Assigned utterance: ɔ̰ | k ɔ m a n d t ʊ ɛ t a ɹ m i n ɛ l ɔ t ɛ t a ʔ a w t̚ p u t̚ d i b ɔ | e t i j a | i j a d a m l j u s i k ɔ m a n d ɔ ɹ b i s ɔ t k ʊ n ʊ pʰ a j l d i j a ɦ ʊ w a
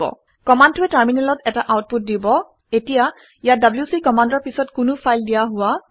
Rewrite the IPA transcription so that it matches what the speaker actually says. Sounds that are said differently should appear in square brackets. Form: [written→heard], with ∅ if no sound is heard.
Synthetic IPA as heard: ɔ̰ | k ɔ m a n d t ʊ ɛ t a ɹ m i n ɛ l ɔ t ɛ t a ʔ a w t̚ p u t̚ d i b ɔ | e t i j a | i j a d a [m→b] l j u s i k ɔ m a n d ɔ ɹ [b→p] i s ɔ t k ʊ n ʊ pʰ a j l d i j a ɦ ʊ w a

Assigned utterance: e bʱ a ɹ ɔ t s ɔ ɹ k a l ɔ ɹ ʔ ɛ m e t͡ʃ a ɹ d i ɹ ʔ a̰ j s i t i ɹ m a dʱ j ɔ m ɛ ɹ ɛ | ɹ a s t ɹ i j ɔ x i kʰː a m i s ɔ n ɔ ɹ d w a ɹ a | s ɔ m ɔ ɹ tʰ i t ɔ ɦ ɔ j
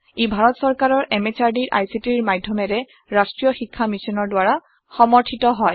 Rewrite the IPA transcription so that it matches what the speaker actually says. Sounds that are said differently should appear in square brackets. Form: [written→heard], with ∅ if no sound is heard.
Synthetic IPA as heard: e bʱ a ɹ ɔ t s ɔ ɹ k a [l→ɹ] ɔ ɹ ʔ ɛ m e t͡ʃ a ɹ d i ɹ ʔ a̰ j s i t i ɹ m a dʱ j ɔ m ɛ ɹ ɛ | ɹ a s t ɹ i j ɔ x i kʰː a m i s ɔ n ɔ ɹ d w a ɹ a | [s→x] ɔ m ɔ ɹ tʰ i t ɔ ɦ ɔ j

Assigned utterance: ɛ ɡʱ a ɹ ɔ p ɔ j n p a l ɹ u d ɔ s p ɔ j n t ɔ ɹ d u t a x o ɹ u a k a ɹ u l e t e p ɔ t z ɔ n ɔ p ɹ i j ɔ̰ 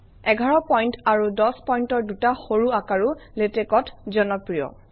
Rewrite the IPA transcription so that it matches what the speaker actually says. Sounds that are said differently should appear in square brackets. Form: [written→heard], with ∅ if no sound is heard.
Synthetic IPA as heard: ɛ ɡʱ a ɹ ɔ p ɔ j n [p→t] a [l→∅] ɹ u d ɔ s p ɔ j n t ɔ ɹ d u t a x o ɹ u a k a ɹ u l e t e [p→k] ɔ t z ɔ n ɔ p ɹ i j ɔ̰

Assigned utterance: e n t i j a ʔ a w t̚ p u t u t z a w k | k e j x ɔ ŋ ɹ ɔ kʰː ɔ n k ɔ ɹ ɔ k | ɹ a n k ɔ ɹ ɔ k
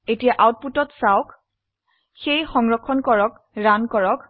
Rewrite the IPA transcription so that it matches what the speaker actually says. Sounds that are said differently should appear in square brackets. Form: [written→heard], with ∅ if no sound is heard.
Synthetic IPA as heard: e [n→∅] t i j a ʔ a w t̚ p u t [u→ɔ] t [z→s] a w k | [k→x] e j x ɔ ŋ ɹ ɔ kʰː ɔ n k ɔ ɹ ɔ k | ɹ a n k ɔ ɹ ɔ k

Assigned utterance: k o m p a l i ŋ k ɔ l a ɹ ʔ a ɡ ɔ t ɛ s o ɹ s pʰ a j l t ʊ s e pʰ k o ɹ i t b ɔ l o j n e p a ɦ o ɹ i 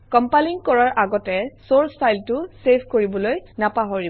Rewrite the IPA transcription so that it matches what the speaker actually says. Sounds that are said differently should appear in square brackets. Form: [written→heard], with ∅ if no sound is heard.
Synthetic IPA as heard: k [o→ɔ] m p a l i ŋ k ɔ [l→ɹ] a ɹ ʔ a ɡ ɔ t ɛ s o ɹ s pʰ a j l t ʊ s e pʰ k o ɹ i [t→∅] b ɔ l o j n [e→a] p a ɦ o ɹ i

